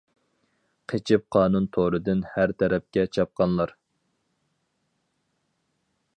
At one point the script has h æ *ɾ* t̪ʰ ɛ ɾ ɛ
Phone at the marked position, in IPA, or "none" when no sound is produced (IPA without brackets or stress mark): ɾ